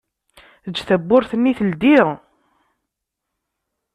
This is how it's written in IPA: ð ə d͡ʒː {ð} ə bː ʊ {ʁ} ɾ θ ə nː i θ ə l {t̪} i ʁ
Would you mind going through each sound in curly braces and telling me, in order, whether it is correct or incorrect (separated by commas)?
incorrect, incorrect, incorrect